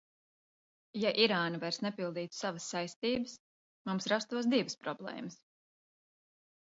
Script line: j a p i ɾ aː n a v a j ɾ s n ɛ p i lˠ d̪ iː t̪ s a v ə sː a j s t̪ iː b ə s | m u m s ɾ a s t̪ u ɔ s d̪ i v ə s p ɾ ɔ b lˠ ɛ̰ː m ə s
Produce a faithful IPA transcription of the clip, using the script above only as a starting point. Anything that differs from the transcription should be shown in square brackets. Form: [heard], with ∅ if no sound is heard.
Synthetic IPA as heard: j a [ʔ] i ɾ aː n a v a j ɾ s n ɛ p i lˠ d̪ iː t̪ s a v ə sː a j s t̪ iː b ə s | m u m s ɾ a s t̪ u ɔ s d̪ i v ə s p ɾ ɔ b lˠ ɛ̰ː m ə s